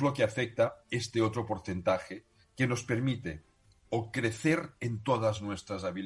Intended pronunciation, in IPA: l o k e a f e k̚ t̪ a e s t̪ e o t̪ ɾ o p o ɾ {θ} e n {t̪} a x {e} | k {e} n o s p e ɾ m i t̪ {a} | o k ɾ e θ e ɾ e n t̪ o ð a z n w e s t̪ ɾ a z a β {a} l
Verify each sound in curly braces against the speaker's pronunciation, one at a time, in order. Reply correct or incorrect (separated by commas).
correct, correct, correct, correct, incorrect, incorrect